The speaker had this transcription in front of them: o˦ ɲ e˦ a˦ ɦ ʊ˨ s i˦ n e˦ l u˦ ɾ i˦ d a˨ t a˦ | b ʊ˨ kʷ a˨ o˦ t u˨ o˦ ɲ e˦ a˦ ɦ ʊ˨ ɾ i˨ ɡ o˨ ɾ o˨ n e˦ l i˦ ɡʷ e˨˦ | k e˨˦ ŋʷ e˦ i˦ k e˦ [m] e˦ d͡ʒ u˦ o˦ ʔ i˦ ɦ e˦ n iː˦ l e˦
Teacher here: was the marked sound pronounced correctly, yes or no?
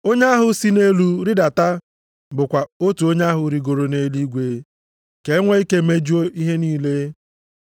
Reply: yes